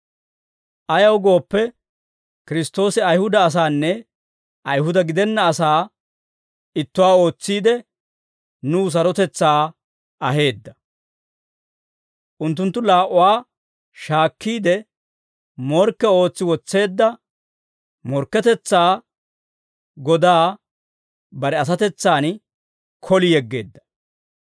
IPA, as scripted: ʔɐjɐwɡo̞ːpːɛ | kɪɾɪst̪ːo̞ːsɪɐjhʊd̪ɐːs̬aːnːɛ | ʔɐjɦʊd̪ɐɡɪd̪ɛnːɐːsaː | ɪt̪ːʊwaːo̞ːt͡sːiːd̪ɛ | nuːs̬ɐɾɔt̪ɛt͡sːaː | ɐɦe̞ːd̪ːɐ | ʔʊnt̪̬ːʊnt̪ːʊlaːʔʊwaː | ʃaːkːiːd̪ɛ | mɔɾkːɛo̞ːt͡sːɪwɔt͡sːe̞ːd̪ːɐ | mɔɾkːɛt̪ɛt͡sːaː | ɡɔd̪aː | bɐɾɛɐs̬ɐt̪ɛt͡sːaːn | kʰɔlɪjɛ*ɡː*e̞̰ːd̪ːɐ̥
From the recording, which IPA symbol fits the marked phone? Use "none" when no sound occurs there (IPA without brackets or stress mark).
ɡː